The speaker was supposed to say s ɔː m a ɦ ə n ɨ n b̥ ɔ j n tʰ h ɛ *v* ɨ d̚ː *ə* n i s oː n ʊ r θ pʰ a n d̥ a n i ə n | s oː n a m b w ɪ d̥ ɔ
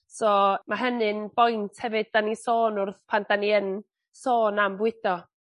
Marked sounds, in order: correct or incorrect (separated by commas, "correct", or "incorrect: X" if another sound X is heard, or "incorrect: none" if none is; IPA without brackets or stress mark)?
correct, incorrect: a